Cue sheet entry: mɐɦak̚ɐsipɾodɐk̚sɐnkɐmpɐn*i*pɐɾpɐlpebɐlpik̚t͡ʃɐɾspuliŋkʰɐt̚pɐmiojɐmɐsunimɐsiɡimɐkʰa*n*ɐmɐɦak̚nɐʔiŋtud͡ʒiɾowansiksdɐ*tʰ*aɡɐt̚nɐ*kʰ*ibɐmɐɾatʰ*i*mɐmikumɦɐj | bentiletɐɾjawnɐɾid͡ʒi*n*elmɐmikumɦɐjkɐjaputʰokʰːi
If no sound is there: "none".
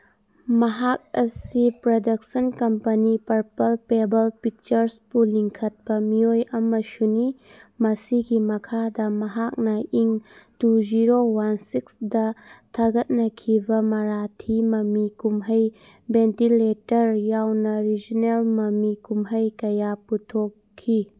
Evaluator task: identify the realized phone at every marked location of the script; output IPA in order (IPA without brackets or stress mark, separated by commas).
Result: i, d, tʰ, kʰ, i, n